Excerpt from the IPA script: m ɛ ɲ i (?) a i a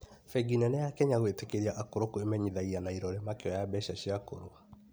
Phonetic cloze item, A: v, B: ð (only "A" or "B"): B